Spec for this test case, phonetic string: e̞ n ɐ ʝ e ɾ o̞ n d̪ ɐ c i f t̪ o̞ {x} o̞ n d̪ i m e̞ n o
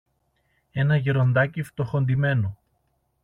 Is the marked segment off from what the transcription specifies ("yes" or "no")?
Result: no